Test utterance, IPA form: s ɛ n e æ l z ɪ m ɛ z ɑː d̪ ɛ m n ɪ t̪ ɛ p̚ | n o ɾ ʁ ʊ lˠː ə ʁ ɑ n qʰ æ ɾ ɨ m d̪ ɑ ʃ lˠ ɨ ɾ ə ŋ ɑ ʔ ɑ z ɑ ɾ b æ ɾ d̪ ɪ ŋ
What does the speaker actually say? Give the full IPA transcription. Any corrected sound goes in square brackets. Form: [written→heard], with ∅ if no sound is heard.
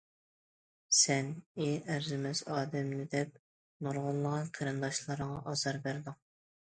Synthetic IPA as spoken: s ɛ n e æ [l→ɾ] z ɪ m ɛ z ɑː d̪ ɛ m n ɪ [t̪→d̪] ɛ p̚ | n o ɾ ʁ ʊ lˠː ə ʁ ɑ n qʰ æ ɾ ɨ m d̪ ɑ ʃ lˠ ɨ ɾ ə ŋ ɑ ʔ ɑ z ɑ ɾ b æ ɾ d̪ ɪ ŋ